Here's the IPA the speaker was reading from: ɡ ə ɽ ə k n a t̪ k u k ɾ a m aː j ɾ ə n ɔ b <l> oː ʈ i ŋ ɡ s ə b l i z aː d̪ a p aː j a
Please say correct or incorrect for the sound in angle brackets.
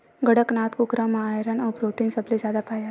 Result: incorrect